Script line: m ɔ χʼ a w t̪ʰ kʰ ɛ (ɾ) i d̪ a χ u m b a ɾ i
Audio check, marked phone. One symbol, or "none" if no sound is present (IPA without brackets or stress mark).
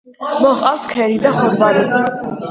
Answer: ɾ